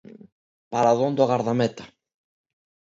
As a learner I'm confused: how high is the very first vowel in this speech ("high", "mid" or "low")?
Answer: low